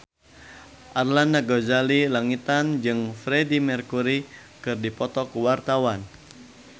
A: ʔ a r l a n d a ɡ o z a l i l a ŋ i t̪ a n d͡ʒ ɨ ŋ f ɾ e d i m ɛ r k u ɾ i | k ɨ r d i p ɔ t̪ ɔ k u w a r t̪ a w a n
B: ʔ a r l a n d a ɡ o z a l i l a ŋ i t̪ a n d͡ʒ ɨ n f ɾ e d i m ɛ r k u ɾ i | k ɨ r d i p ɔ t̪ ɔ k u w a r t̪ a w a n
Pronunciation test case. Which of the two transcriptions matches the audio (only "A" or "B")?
A